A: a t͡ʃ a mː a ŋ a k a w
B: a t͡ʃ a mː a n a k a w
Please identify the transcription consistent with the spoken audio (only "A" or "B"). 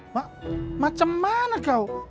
B